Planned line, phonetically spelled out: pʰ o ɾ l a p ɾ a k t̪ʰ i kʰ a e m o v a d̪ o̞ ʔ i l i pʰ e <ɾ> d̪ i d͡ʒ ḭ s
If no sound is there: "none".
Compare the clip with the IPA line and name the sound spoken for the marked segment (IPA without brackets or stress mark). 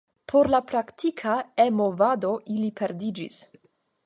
ɾ